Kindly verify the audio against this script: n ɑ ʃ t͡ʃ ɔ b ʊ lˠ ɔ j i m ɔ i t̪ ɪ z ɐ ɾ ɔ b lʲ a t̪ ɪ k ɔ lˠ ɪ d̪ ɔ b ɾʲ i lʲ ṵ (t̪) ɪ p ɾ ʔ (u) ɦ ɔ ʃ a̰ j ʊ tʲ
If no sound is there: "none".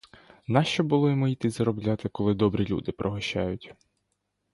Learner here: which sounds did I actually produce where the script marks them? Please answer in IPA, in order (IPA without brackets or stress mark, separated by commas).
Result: d̪, ɔ